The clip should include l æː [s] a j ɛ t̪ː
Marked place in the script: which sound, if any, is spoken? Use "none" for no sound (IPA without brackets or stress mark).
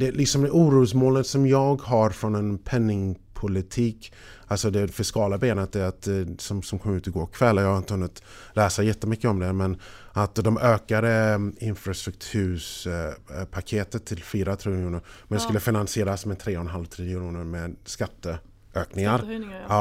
s